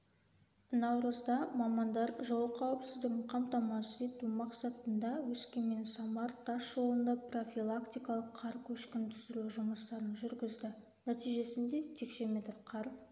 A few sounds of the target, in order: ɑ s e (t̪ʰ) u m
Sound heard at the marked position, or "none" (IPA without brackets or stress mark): t̪